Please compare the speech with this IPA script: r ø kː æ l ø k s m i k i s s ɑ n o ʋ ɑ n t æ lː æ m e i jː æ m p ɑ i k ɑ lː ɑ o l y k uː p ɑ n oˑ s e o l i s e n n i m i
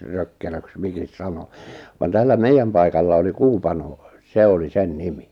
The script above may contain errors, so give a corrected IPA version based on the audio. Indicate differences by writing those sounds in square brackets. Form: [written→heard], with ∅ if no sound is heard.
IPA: r ø kː [æ→e] l ø k s m i k i s s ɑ n o ʋ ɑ n t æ lː æ m e i jː æ m p ɑ i k ɑ lː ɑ o l [y→i] k uː p ɑ n oˑ s e o l i s e n n i m i

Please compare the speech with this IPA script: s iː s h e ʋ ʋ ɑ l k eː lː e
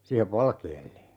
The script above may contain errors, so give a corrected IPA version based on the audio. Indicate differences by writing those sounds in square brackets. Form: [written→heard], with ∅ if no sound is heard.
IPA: s iː [s→∅] h e ʋ ʋ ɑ l k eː lː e

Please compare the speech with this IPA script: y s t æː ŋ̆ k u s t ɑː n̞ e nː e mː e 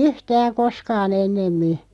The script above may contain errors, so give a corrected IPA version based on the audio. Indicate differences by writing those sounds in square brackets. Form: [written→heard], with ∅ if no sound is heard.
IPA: y [s→h] t æː ŋ̆ k [u→o] s [t→k] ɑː n̞ e nː e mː [e→i]

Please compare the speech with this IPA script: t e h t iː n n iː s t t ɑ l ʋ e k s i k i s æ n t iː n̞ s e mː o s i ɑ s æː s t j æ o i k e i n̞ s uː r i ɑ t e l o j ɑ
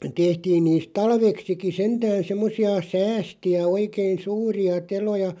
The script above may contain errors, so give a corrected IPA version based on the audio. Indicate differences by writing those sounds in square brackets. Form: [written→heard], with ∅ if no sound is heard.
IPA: t e h t iː n n iː s t t ɑ l ʋ e k s i k i s [æ→e] n t [iː→æː] n̞ s e mː o s i ɑ s æː s t [j→i] æ o i k e i n̞ s uː r i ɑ t e l o j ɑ

